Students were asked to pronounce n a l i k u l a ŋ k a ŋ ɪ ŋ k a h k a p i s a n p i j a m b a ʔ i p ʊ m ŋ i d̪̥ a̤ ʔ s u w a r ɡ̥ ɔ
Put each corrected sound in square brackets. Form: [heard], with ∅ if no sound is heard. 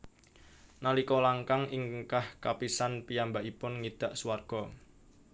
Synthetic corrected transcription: n a l i k [ɔ] l a ŋ k a ŋ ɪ ŋ k a h k a p i s a n p i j a m b a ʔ i p ʊ [n] ŋ i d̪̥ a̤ ʔ s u w a r ɡ̥ ɔ